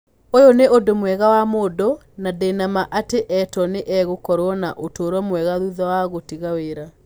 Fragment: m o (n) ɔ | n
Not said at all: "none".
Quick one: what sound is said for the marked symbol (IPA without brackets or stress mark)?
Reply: d